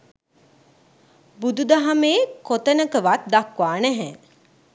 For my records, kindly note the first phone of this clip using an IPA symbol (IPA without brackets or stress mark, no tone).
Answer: b